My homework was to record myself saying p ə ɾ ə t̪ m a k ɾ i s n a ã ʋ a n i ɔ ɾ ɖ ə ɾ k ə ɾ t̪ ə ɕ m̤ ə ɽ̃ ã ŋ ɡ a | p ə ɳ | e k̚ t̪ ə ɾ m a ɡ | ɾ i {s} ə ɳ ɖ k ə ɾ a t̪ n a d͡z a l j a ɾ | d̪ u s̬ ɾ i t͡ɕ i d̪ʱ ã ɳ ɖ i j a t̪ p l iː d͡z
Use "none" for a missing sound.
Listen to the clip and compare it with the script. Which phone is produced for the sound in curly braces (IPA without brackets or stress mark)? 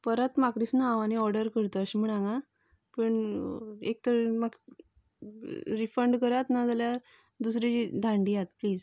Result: f